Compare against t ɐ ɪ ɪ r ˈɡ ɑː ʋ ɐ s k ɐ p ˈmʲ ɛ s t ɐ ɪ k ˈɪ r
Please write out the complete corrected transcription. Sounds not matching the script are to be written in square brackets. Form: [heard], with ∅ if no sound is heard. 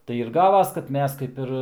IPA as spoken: t ɐ ɪ ɪ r ˈɡ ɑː ʋ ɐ s k ɐ [t] ˈmʲ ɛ s [k] ɐ ɪ [p] ˈɪ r